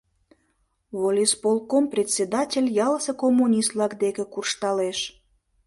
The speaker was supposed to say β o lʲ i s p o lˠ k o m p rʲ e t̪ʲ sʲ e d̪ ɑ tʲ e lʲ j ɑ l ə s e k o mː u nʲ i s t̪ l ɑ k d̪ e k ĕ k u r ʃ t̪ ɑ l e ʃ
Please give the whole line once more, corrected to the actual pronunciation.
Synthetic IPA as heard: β o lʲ i s p o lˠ k o m p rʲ e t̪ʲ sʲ e d̪ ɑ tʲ e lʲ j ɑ l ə s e k o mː u nʲ i s t̪ l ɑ k d̪ e k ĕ k u r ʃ t̪ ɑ l e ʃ

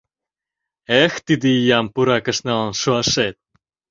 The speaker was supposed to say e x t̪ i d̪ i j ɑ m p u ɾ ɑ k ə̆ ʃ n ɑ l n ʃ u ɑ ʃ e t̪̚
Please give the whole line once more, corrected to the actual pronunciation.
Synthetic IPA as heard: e x t̪ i d̪ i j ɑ m p u ɾ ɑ k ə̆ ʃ n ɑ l n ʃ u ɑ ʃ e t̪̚

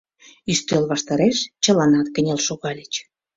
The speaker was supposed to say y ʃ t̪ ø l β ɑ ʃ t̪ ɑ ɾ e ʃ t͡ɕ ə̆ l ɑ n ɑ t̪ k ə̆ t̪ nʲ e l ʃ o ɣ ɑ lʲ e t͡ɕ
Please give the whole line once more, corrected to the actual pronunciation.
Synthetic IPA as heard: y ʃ t̪ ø l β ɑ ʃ t̪ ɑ ɾ e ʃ t͡ɕ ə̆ l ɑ n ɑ t̪ k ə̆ nʲ e l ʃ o ɣ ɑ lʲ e t͡ɕ

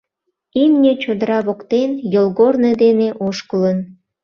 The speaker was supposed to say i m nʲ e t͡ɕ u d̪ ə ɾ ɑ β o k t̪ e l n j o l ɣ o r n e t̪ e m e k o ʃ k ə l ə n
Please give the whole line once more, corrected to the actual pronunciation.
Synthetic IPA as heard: i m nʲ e t͡ɕ o d̪ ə ɾ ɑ β o k t̪ e n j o l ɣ o r n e d̪ e n e ʔ o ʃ k ə l ə n

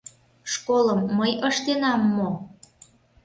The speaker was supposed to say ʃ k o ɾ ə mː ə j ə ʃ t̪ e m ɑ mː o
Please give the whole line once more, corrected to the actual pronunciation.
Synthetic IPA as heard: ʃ k o l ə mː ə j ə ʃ t̪ e n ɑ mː o

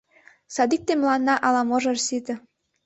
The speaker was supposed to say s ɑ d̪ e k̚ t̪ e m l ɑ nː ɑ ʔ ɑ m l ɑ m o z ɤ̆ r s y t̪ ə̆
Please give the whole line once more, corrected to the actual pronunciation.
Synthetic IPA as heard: s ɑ d̪ i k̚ t̪ e m l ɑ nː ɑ ʔ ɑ l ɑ m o ʒ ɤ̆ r s i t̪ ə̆

